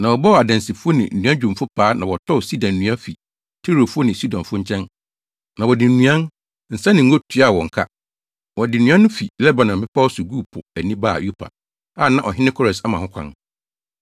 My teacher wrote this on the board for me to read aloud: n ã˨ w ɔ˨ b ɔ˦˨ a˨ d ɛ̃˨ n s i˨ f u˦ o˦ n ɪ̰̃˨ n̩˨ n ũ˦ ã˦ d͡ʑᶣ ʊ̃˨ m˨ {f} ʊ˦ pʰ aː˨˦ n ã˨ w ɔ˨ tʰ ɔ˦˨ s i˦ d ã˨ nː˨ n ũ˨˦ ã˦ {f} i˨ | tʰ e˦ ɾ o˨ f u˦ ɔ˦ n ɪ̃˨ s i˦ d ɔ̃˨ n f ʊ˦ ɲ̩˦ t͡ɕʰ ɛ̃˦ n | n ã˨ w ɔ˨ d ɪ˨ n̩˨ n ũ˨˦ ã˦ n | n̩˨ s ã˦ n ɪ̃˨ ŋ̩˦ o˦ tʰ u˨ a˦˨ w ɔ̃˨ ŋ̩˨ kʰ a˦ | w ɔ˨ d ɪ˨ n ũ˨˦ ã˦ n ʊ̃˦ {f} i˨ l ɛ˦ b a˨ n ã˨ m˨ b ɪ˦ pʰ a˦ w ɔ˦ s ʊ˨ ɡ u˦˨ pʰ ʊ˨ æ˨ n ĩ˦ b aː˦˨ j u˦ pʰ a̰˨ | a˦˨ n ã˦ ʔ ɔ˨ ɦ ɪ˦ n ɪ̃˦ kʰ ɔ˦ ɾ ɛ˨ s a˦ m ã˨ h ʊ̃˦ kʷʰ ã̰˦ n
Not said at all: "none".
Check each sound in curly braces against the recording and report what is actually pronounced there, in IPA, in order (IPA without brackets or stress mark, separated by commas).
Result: f, f, f